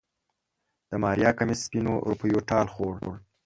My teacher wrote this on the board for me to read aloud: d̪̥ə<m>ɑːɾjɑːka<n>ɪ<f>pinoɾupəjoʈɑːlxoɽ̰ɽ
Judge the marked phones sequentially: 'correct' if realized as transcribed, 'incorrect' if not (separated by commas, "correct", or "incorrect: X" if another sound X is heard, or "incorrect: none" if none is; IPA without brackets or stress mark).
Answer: correct, incorrect: m, incorrect: s